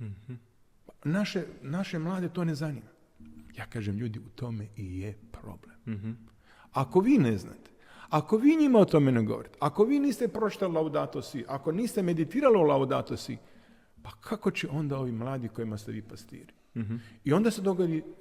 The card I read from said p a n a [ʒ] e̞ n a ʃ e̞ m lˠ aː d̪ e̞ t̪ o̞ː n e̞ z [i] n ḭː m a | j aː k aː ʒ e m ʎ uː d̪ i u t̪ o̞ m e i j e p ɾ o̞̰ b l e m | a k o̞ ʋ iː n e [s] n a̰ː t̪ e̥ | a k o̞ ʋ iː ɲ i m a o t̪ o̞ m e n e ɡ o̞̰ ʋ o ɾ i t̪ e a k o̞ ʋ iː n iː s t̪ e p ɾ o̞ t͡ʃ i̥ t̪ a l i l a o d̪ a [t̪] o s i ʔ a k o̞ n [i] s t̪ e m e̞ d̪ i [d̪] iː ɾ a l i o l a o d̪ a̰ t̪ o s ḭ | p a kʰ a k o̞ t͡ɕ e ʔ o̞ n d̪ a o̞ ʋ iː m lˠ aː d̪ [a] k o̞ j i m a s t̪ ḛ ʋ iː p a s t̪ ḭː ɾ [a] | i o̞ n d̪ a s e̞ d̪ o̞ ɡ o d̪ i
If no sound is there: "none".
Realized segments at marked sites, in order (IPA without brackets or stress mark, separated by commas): ʃ, a, z, t̪, iː, t̪, i, i